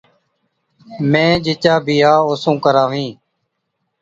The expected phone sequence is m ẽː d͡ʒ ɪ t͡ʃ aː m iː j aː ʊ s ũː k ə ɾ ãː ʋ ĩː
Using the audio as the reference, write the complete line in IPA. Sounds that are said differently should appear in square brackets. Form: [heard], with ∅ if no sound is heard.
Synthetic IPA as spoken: m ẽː d͡ʒ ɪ t͡ʃ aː [b] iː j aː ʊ s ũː k ə ɾ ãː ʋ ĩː